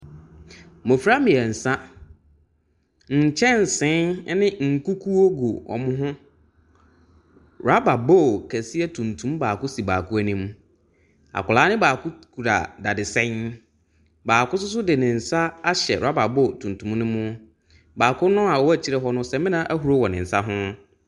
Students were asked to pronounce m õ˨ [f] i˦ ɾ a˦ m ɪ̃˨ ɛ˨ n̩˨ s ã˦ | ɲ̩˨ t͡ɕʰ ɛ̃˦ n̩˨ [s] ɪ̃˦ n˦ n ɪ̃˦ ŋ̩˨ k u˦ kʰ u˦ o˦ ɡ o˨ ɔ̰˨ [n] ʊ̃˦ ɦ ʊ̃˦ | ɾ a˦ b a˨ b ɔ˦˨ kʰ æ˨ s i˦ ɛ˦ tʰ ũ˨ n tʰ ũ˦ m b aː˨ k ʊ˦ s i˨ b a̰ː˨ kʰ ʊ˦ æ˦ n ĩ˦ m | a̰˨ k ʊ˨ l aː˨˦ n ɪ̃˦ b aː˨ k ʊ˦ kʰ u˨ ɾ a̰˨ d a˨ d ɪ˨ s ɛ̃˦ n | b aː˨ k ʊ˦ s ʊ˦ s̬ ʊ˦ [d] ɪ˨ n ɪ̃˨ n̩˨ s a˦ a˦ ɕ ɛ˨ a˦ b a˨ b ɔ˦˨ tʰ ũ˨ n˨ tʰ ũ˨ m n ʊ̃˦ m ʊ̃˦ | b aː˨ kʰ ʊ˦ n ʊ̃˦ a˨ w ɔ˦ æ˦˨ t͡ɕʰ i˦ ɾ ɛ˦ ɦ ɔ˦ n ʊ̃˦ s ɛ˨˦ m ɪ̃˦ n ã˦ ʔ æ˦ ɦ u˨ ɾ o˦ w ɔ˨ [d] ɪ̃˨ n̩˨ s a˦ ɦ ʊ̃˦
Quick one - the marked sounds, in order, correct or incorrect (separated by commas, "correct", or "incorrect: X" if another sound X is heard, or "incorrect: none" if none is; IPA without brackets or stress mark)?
correct, correct, incorrect: m, correct, incorrect: n